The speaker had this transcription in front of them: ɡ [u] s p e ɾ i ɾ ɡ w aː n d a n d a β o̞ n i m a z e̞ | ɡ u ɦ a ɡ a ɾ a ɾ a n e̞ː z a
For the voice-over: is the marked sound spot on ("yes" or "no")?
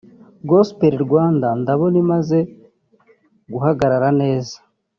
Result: no